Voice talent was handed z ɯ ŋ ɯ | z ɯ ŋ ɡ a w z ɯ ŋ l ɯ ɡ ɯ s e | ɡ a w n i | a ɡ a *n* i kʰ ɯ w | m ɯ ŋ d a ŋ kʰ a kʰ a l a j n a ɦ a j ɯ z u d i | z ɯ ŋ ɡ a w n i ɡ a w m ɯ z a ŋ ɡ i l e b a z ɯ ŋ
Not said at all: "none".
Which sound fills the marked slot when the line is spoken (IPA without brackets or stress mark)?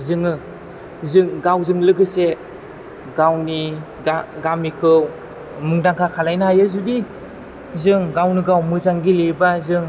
m